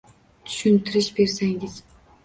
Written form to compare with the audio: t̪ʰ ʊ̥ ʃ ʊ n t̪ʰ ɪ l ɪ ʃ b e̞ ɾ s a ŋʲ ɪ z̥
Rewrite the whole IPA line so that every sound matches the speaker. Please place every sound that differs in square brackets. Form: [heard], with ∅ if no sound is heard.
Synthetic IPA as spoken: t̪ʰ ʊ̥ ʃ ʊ n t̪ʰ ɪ [ɾ] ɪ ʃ b e̞ ɾ s a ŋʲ ɪ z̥